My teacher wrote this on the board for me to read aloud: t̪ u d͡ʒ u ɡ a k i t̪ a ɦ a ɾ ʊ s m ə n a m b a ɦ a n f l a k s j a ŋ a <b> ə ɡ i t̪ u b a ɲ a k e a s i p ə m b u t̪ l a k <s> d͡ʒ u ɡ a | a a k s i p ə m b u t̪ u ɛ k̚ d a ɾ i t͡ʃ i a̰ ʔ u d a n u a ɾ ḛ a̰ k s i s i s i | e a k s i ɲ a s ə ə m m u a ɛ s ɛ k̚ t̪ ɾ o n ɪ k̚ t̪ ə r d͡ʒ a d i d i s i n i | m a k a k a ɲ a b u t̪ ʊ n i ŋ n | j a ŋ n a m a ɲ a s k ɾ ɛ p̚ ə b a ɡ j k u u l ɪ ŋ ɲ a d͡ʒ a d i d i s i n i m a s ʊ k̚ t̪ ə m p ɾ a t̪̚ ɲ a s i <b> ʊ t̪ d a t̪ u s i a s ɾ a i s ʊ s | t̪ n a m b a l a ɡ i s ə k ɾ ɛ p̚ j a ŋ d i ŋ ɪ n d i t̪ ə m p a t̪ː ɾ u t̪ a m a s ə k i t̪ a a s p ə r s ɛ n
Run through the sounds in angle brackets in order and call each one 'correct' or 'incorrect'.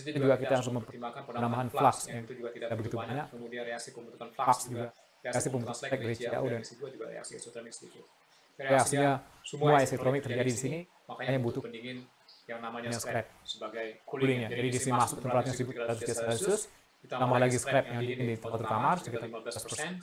correct, correct, correct

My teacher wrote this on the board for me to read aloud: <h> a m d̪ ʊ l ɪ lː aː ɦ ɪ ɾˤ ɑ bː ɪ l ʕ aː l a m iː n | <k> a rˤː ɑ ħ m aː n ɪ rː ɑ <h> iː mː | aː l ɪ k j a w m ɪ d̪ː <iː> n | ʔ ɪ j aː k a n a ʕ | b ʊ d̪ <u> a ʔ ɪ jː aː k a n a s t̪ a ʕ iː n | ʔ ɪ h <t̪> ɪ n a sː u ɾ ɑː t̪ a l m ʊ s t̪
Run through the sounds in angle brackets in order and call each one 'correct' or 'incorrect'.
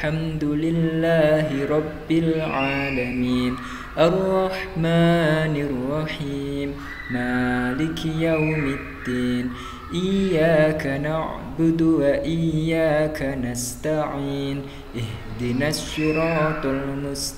incorrect: ħ, incorrect: ʔ, incorrect: ħ, correct, incorrect: w, incorrect: d̪

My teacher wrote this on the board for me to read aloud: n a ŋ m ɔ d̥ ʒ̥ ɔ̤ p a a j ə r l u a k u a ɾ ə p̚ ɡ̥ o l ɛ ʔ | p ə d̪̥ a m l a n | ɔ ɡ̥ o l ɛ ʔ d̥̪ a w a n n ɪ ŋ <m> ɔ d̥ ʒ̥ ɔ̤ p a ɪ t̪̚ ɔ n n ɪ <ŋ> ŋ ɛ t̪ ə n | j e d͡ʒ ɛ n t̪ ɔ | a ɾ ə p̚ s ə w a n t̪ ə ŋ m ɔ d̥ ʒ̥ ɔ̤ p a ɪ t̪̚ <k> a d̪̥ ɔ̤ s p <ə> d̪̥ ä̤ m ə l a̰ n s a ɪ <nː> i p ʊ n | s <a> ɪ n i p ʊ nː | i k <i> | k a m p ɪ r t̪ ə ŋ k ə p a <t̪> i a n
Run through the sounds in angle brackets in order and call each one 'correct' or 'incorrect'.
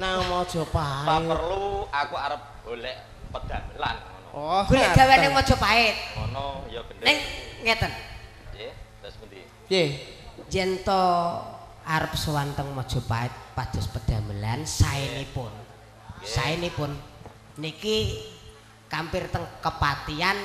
correct, correct, incorrect: p, correct, incorrect: n, correct, correct, correct

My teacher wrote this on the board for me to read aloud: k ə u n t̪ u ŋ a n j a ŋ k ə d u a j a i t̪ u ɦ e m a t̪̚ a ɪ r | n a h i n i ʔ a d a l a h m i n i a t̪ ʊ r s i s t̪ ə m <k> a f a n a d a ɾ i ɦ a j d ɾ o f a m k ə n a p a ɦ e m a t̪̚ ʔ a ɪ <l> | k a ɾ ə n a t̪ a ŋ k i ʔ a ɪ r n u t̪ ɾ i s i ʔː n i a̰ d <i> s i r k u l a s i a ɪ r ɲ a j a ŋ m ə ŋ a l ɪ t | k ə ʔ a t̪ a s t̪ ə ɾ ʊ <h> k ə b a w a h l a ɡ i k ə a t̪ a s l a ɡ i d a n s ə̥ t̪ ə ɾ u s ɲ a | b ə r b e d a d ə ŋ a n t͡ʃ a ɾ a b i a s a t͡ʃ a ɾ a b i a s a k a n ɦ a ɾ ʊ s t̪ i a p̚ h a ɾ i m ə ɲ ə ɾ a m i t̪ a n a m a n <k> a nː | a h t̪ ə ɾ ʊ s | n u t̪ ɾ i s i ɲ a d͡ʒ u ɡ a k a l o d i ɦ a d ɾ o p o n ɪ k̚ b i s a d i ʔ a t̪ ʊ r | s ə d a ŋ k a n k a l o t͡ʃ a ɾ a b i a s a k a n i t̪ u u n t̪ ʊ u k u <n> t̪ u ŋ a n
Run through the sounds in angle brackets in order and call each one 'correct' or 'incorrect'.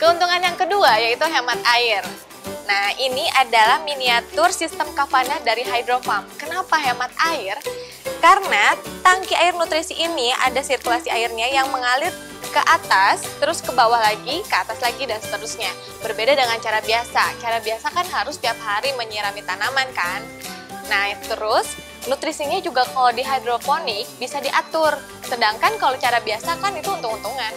correct, incorrect: r, incorrect: a, incorrect: s, correct, correct

